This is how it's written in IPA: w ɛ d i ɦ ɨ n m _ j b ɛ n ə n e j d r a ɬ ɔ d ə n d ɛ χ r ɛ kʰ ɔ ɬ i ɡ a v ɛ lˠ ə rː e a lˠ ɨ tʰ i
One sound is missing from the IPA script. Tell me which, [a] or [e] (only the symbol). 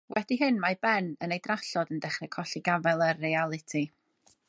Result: a